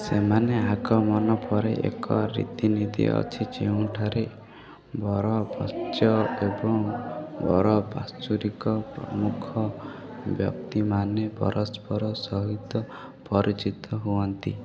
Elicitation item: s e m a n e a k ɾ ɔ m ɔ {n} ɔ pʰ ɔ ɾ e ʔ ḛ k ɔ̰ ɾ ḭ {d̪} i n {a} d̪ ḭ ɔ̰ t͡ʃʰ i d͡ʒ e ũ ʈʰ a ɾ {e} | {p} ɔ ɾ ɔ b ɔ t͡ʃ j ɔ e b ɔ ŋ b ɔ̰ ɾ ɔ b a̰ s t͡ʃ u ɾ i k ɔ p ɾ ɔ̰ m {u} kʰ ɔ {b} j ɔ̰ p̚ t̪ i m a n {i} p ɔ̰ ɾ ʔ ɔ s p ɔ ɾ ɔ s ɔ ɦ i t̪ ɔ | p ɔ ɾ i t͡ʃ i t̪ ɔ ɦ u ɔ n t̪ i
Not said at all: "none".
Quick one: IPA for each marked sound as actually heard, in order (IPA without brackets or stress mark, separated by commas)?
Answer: n, t̪, i, e, b, u, b, e